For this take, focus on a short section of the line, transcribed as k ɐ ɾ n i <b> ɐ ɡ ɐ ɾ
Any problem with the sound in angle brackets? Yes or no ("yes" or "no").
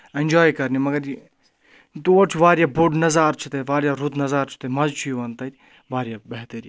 yes